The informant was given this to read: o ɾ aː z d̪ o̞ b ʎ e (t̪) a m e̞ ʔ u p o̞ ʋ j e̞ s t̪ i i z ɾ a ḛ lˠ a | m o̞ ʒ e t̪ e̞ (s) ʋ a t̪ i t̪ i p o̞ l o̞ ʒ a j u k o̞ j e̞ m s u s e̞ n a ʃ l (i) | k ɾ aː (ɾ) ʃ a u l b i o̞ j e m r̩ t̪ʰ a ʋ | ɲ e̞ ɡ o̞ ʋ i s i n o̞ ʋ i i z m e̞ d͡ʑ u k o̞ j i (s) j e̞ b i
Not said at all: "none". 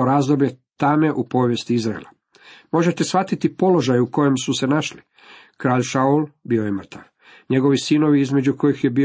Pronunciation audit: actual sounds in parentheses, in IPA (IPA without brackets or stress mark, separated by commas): t̪, s, i, ʎ, x